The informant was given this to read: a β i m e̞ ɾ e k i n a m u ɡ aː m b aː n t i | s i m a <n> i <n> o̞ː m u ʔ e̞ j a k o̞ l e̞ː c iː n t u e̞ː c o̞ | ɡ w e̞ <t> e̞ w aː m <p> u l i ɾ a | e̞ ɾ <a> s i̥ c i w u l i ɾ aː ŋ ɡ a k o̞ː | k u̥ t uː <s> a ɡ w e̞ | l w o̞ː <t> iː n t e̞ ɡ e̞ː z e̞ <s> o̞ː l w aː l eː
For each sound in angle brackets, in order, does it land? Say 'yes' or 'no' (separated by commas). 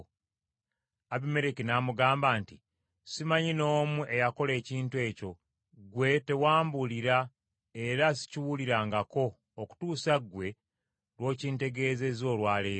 no, yes, yes, no, yes, yes, no, no